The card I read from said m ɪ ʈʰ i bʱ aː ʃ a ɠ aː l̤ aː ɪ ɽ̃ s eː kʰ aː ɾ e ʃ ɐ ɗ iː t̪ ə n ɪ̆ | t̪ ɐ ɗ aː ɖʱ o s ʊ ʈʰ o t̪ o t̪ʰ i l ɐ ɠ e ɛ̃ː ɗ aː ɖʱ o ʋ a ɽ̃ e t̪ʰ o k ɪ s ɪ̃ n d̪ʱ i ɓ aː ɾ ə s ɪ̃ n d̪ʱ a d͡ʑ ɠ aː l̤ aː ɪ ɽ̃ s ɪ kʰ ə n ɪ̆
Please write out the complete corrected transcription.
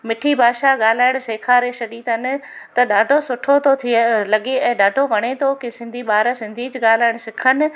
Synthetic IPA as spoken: m ɪ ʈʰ i bʱ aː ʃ a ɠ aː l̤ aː ɪ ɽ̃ s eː kʰ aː ɾ e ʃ ɐ ɗ iː t̪ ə n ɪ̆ | t̪ ɐ ɗ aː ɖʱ o s ʊ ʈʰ o t̪ o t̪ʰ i l ɐ ɠ e ɛ̃ː ɗ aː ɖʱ o ʋ ɐ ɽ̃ e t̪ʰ o k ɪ s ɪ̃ n d̪ʱ i ɓ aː ɾ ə s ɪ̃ n d̪ʱ i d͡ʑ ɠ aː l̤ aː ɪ ɽ̃ s ɪ kʰ ə n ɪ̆